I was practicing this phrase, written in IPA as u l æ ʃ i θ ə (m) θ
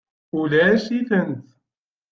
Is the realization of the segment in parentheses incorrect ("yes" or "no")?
yes